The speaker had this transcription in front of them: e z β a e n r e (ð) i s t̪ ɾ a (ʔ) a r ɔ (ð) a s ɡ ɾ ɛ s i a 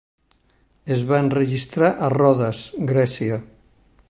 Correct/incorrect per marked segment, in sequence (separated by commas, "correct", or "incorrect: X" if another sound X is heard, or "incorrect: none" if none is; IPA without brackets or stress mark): incorrect: ʒ, correct, correct